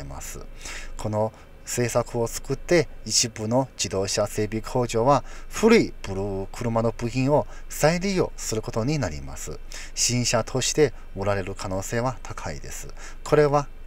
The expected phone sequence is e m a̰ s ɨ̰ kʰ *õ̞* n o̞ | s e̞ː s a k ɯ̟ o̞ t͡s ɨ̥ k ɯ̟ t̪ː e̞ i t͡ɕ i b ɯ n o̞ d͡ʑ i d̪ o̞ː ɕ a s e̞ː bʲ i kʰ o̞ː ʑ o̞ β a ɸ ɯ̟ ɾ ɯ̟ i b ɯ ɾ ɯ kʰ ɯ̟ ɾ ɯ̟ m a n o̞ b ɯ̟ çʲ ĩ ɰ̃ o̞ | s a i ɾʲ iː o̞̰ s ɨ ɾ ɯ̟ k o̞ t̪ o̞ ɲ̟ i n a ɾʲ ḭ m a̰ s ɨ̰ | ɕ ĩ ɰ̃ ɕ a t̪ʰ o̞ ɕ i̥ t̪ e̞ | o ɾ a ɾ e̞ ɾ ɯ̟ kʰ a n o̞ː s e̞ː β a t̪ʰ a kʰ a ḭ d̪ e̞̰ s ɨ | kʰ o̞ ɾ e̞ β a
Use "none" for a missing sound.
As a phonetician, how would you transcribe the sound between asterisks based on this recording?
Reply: o̞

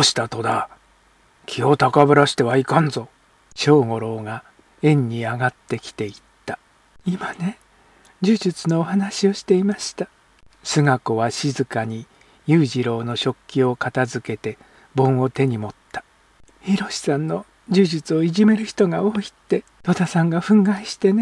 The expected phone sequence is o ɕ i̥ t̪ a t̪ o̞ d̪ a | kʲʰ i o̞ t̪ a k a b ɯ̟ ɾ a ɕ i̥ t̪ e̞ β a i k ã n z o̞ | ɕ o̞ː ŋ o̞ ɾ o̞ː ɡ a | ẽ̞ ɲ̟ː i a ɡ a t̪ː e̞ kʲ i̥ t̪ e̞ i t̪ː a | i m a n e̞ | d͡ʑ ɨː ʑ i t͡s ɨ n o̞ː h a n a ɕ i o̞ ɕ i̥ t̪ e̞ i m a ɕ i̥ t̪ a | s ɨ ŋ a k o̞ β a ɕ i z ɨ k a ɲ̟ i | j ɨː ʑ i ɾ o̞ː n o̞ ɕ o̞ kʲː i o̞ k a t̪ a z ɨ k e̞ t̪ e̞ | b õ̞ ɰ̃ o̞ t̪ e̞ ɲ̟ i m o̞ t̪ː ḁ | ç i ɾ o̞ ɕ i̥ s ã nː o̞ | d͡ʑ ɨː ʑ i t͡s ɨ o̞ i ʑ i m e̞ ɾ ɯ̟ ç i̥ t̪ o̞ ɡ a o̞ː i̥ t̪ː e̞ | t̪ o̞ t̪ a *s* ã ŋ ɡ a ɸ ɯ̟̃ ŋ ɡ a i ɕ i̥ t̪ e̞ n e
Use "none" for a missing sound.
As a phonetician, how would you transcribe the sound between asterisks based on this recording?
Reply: s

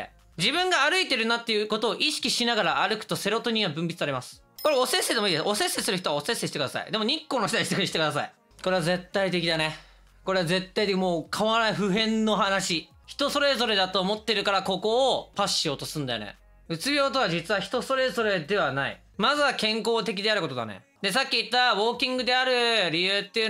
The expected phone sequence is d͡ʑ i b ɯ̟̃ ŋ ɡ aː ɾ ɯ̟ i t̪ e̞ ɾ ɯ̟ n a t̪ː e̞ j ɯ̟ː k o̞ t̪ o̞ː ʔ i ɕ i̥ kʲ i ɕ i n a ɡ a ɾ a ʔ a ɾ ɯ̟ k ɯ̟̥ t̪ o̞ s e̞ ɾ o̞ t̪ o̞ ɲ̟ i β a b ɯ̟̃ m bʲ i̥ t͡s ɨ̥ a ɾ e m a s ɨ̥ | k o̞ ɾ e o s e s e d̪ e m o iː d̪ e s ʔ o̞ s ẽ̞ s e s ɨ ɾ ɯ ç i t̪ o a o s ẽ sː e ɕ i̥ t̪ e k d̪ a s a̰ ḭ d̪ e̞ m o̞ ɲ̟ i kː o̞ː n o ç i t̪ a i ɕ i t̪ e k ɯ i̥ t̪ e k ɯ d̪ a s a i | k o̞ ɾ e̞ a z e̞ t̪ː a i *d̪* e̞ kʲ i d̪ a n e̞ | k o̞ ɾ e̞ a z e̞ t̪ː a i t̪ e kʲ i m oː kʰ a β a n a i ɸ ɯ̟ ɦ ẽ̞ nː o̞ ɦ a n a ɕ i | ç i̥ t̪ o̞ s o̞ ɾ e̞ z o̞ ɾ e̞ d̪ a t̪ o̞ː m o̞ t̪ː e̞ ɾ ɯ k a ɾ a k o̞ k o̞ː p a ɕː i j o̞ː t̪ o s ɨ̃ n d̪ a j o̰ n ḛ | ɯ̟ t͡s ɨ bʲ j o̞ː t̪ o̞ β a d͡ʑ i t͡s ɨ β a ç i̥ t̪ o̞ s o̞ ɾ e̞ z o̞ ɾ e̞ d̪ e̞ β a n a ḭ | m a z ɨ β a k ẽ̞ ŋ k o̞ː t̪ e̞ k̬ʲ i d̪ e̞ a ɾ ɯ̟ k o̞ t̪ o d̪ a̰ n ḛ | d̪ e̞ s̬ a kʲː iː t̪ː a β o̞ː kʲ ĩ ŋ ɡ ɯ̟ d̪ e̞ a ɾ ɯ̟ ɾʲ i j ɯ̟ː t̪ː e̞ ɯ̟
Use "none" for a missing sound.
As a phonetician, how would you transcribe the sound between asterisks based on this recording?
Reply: t̪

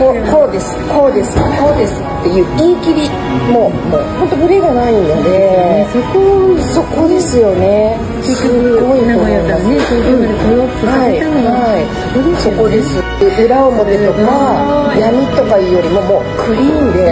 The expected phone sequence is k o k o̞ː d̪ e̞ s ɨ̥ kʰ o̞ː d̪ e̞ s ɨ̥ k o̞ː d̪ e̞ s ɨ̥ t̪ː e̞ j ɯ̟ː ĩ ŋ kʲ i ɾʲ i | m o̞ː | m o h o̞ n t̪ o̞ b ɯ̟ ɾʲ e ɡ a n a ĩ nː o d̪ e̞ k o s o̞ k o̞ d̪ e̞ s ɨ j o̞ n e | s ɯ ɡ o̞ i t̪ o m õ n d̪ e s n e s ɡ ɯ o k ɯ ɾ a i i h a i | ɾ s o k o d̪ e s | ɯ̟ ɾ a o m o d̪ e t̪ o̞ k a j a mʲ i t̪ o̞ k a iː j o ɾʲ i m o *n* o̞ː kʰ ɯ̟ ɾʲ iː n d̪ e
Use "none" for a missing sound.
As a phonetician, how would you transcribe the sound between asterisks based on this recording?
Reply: m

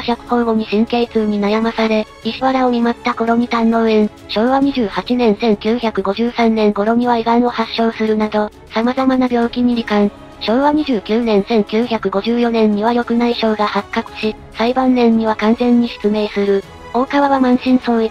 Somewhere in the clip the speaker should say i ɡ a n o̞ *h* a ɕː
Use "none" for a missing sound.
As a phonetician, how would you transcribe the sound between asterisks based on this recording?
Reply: h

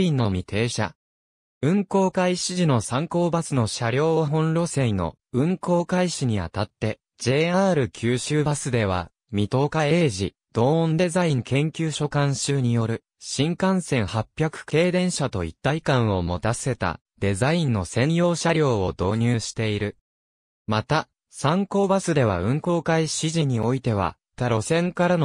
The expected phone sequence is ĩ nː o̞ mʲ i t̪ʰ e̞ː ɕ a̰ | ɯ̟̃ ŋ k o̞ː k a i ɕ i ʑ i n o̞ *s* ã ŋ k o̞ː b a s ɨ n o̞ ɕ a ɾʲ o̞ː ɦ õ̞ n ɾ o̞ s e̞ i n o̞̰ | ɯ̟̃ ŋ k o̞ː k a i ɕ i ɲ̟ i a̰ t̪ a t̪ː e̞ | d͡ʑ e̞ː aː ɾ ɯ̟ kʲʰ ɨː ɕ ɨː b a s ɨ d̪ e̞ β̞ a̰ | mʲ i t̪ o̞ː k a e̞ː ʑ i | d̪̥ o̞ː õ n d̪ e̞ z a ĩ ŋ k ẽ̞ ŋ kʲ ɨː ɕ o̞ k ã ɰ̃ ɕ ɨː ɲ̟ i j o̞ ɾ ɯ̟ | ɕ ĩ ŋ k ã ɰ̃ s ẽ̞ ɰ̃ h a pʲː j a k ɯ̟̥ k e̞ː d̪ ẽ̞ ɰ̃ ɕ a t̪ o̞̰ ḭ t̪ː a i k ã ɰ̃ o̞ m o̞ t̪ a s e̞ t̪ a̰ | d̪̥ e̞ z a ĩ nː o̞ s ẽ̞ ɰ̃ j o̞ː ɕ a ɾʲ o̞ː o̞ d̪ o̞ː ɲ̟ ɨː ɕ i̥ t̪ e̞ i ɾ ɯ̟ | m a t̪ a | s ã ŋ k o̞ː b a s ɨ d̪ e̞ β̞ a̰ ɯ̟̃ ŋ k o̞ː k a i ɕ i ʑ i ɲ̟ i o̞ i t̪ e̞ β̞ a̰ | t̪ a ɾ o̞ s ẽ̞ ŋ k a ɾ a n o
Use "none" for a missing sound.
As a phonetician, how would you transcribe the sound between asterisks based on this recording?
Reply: s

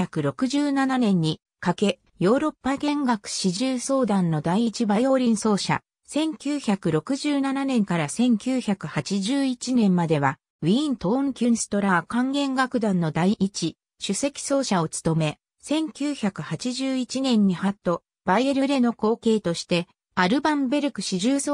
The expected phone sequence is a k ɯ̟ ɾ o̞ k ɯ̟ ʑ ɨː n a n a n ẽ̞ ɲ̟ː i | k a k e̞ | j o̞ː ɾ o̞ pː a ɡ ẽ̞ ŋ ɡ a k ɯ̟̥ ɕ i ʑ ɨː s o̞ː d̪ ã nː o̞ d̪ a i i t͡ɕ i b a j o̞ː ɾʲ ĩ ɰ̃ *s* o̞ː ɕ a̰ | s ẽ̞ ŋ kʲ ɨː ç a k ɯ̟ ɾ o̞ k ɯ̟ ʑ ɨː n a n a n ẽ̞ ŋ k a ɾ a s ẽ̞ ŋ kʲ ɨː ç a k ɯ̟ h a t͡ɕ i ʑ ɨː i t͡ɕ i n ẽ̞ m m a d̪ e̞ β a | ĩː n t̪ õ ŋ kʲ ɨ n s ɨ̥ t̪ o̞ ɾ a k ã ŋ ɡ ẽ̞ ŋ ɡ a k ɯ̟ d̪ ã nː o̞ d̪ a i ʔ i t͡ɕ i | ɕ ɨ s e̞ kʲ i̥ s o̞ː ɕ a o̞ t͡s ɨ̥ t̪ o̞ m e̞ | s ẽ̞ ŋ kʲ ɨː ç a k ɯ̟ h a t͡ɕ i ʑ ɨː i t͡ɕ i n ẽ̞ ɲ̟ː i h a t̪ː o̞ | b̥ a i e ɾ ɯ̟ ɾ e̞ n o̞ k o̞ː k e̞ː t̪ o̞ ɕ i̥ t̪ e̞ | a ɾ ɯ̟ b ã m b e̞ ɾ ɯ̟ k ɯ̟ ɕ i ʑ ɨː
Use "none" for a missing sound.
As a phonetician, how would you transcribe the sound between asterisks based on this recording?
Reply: s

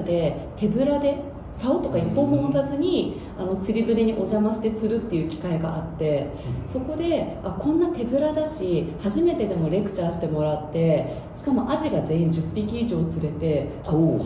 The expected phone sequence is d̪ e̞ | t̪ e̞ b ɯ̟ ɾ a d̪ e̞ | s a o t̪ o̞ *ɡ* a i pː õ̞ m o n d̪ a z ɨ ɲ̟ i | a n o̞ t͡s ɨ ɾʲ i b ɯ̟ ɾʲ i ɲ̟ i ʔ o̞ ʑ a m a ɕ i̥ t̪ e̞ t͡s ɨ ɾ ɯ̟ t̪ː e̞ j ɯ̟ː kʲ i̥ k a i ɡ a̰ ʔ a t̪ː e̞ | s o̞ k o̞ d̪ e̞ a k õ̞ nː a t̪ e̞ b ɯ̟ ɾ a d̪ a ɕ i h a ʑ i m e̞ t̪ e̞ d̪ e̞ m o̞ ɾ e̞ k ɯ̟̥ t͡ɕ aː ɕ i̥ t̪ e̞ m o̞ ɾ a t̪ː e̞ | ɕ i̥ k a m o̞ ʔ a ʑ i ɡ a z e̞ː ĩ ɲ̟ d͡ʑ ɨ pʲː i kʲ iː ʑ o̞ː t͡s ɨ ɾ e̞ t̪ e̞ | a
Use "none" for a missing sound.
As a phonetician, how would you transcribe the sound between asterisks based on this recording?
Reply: k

